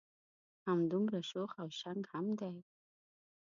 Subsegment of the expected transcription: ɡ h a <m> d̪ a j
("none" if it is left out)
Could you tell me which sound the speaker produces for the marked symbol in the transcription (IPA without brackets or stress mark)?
m